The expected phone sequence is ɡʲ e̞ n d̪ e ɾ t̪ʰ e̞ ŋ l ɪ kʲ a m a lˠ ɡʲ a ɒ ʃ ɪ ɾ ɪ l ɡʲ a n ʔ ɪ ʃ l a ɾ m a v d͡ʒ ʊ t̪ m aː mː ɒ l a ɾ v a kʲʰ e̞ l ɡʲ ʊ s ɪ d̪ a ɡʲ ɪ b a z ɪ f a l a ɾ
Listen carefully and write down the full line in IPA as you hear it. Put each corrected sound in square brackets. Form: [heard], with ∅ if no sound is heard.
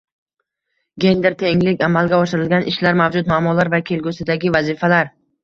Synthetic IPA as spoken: ɡʲ e̞ n d̪ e ɾ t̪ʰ e̞ ŋ l ɪ kʲ a m a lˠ ɡʲ a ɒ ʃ ɪ ɾ ɪ l ɡʲ a n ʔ ɪ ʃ l a ɾ m a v d͡ʒ ʊ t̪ m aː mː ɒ l a ɾ v a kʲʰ e̞ l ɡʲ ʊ s ɪ d̪ a ɡʲ ɪ [v] a z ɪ f a l a ɾ

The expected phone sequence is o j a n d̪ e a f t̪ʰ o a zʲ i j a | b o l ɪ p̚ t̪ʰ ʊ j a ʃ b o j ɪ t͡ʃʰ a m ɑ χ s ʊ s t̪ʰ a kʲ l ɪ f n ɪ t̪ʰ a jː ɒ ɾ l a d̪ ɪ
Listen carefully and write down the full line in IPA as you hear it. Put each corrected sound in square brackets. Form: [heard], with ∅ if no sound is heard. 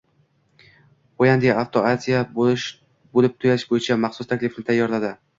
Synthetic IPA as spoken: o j a n d̪ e a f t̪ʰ o a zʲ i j a | b o l ɪ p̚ t̪ʰ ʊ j a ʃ b o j ɪ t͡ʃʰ a m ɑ χ s ʊ s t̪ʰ a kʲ l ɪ f n ɪ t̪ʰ a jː ɒ ɾ l a d̪ ɪ

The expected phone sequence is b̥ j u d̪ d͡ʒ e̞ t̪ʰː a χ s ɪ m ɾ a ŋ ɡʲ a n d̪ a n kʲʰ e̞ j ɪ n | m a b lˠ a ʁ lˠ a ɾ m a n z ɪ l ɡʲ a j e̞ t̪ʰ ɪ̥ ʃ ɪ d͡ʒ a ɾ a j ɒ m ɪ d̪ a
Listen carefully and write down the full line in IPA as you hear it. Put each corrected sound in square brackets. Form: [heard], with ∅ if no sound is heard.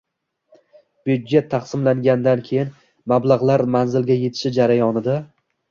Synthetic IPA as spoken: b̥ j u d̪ d͡ʒ e̞ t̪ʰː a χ s ɪ m [l] a ŋ ɡʲ a n d̪ a n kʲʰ e̞ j ɪ n | m a b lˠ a ʁ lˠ a ɾ m a n z ɪ l ɡʲ a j e̞ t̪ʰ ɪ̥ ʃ ɪ d͡ʒ a ɾ a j ɒ [n] ɪ d̪ a

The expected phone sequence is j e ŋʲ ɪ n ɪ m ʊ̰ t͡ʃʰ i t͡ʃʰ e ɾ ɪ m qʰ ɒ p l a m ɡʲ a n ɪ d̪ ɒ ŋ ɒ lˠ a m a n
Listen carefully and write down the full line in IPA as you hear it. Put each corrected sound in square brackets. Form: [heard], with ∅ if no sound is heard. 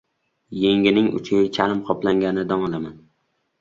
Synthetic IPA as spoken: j e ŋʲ ɪ n ɪ [ŋ] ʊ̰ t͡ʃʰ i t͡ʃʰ [a] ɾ ɪ m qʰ ɒ p l a [ŋ] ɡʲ a n ɪ d̪ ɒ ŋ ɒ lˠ a m a n

